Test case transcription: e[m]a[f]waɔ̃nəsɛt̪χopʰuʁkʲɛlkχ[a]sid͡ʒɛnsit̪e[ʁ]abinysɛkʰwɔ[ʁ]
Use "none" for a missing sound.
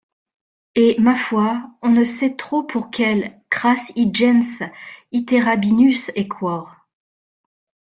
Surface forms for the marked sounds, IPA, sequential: m, f, a, ʁ, ʁ

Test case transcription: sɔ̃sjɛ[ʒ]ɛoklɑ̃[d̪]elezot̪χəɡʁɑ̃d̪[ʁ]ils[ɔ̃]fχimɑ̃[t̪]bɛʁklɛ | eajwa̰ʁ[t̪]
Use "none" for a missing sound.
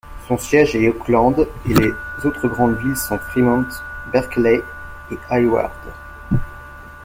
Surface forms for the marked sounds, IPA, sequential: ʒ, d̪, v, ɔ̃, t̪, d̪

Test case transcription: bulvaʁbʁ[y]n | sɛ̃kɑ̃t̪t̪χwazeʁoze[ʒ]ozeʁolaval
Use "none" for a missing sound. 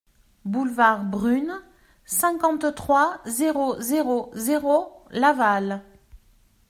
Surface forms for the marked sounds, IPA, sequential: y, ʁ

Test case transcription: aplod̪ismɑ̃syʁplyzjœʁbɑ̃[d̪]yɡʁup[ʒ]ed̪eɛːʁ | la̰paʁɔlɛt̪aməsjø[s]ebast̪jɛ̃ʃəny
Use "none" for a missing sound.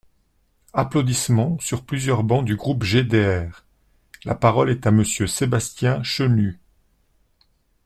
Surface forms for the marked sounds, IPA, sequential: d̪, ʒ, s

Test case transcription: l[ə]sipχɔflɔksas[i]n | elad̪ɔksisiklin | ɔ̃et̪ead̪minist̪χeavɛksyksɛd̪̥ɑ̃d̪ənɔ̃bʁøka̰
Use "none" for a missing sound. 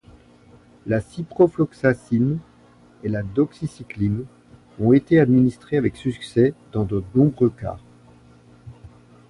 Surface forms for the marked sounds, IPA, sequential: a, i

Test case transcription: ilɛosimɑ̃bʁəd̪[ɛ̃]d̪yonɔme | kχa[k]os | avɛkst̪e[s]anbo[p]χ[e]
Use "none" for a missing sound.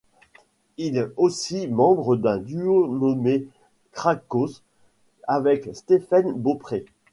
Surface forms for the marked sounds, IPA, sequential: ɛ̃, k, f, p, e

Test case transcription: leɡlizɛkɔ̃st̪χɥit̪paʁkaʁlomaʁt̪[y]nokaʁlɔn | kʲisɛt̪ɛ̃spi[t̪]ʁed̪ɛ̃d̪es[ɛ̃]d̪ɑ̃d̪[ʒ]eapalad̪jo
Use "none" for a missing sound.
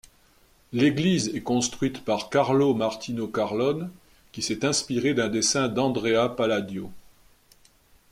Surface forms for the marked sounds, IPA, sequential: i, none, ɛ̃, ʁ

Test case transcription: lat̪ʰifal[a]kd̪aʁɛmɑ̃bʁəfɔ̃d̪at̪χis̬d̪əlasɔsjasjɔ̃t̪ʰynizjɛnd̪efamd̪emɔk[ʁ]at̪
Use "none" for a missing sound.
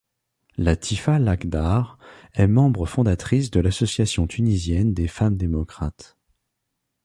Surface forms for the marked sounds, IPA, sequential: a, χ

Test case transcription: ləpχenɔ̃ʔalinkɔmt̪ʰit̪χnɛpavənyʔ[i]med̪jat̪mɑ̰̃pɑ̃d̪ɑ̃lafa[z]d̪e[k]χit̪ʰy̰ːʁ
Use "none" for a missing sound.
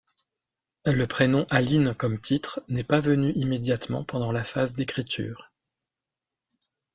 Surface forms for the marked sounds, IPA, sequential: i, z, k

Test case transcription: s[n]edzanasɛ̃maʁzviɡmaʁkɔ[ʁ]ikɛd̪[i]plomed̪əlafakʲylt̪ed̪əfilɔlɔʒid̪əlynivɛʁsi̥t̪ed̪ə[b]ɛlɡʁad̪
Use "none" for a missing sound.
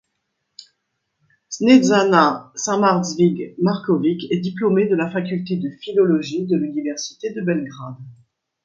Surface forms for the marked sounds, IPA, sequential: n, v, i, b

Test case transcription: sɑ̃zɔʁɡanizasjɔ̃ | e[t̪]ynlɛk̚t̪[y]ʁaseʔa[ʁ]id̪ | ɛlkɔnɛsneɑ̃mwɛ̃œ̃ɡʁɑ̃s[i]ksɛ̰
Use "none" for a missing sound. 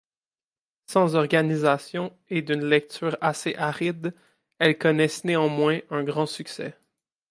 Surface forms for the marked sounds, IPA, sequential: d̪, yː, ʁ, y

